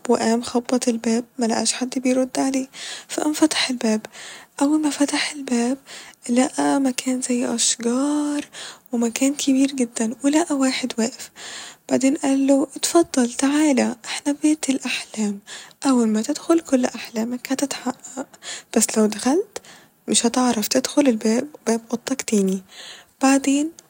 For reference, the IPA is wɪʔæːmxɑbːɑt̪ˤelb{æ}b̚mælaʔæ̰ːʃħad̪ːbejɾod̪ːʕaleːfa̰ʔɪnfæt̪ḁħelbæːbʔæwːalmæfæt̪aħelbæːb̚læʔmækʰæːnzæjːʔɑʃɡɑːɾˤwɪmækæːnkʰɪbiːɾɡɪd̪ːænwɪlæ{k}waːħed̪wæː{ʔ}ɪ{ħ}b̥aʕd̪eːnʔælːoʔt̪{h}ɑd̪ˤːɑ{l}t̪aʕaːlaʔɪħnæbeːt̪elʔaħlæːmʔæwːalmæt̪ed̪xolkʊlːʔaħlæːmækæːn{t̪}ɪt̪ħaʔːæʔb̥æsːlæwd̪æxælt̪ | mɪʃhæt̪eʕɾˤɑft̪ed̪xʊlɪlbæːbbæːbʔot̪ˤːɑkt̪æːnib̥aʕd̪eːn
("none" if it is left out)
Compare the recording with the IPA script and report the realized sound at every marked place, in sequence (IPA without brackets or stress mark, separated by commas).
æː, ʔ, ʔ, f, f, l, t̪